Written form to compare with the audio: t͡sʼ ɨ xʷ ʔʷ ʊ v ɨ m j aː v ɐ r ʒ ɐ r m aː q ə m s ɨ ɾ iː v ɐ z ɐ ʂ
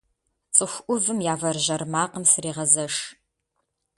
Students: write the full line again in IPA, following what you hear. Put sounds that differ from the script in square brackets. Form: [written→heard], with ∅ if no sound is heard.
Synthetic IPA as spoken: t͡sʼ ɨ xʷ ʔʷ ʊ v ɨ m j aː v ɐ r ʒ ɐ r m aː q ə m s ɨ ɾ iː [v→ʁ] ɐ z ɐ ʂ